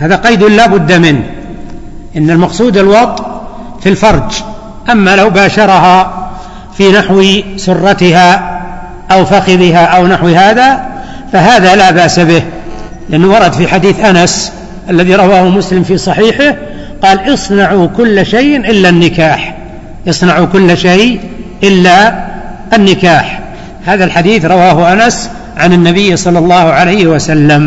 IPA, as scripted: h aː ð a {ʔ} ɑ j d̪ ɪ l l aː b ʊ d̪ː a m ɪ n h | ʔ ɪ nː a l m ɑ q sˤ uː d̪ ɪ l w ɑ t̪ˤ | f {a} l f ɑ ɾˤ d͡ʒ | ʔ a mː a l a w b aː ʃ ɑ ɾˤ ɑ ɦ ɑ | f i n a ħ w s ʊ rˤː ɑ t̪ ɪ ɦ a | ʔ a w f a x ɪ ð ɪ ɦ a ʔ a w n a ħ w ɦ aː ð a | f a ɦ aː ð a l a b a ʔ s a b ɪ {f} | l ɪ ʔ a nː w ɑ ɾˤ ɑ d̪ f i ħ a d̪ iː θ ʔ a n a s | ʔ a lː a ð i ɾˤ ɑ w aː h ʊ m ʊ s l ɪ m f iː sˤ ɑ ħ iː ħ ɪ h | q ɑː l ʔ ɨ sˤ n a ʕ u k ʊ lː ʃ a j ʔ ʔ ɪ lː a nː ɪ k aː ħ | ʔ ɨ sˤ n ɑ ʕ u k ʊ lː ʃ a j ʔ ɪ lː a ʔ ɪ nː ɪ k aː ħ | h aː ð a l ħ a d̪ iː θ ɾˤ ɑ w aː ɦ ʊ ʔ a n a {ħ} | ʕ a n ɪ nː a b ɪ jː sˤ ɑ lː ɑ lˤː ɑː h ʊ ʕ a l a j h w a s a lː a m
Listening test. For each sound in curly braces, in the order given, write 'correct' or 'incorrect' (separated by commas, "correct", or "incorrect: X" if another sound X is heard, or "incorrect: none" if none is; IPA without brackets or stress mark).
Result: incorrect: q, incorrect: i, incorrect: h, incorrect: s